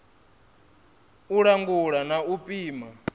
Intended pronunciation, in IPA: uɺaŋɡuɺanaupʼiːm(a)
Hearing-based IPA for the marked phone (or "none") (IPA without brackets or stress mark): a